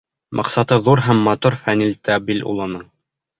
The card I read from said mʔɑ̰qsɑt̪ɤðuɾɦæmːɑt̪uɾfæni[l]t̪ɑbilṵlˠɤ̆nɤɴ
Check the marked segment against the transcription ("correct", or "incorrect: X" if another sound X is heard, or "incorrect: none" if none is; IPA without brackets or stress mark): correct